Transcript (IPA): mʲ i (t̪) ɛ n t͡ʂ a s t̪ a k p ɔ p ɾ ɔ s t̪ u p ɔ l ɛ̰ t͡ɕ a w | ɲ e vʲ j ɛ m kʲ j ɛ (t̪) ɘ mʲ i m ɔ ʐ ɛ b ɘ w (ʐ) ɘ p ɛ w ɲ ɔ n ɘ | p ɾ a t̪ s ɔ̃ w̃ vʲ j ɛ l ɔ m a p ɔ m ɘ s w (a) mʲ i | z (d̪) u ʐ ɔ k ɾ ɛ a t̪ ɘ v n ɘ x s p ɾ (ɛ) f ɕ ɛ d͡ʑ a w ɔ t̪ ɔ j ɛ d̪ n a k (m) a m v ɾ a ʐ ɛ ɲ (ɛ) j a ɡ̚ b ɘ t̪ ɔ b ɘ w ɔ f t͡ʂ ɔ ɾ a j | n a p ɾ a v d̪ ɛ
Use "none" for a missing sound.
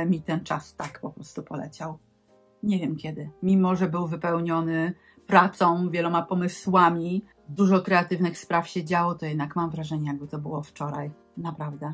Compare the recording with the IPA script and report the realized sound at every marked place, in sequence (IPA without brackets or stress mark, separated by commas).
t̪, d̪, v, a, d̪, a, m, ɛ